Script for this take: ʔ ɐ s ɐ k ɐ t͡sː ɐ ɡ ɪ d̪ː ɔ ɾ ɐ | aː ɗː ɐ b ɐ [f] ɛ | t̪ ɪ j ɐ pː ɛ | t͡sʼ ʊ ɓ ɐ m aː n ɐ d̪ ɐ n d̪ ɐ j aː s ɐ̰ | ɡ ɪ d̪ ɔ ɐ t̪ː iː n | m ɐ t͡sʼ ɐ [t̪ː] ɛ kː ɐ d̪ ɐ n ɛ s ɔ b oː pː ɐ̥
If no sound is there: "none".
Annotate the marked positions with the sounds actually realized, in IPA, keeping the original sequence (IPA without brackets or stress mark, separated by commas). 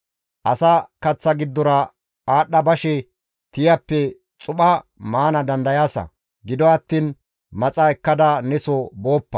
ʃ, none